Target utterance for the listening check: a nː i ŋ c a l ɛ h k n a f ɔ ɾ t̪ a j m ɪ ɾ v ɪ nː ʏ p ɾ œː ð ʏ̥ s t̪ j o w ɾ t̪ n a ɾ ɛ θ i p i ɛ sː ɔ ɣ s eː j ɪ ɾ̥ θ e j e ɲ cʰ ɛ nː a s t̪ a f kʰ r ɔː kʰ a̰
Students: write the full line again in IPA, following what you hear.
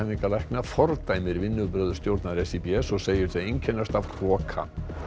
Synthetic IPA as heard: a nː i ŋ k a l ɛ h k n a f ɔ ɾ t̪ a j m ɪ ɾ v ɪ nː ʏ p ɾ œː ð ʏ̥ s t̪ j o w ɾ t̪ n a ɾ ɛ s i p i ɛ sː ɔ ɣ s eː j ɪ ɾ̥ θ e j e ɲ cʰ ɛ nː a s t̪ a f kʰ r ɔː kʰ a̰